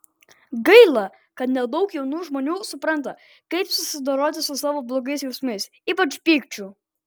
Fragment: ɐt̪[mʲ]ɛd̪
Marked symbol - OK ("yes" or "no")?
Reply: no